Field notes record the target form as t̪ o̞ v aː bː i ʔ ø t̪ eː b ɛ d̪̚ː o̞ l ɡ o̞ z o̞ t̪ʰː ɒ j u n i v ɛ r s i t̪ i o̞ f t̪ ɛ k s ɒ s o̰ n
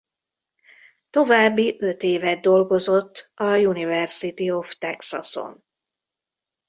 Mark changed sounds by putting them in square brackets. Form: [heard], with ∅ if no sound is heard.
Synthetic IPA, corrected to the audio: t̪ o̞ v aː bː i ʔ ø t̪ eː [v] ɛ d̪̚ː o̞ l ɡ o̞ z o̞ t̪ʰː ɒ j u n i v ɛ r s i t̪ i o̞ f t̪ ɛ k s ɒ s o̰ n